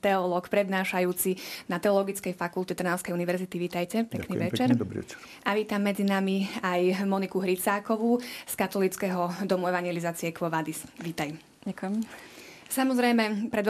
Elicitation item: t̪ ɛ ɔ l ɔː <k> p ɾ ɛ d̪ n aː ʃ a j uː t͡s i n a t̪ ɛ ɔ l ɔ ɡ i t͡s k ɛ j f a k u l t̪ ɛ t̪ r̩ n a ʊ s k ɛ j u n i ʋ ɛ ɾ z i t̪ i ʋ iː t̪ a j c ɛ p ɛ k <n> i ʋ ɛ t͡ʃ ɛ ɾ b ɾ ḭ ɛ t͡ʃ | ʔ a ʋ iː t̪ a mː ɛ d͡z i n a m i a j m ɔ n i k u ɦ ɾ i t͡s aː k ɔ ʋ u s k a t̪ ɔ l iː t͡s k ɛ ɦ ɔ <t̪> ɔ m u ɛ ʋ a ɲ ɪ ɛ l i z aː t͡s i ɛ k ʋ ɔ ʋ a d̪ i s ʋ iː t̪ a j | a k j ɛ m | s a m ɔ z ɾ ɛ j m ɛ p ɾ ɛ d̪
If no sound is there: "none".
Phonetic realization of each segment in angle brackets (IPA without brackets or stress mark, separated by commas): k, n, d̪